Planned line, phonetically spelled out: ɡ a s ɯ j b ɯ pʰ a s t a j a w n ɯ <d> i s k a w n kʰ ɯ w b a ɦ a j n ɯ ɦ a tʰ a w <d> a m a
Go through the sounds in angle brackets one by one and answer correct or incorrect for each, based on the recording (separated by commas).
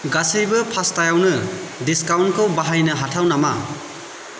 correct, incorrect